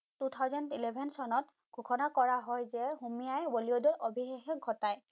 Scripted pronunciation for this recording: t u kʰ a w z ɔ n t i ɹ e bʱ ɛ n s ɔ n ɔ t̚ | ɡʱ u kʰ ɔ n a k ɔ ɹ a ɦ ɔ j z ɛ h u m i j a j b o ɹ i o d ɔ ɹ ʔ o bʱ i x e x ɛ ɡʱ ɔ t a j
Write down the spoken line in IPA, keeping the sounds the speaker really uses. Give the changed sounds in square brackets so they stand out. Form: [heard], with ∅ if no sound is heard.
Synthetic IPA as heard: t u [tʰ] a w z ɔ n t i [l] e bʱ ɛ n s ɔ n ɔ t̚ | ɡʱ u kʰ ɔ n a k ɔ ɹ a ɦ ɔ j z ɛ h u m i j a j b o [l] i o d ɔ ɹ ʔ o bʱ i x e x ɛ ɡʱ ɔ t a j